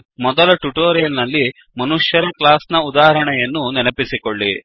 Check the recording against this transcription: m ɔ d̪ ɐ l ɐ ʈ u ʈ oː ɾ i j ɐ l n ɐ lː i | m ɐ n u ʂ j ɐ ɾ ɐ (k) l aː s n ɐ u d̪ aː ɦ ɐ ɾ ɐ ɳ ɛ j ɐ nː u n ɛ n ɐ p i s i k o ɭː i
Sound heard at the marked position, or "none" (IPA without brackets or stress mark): k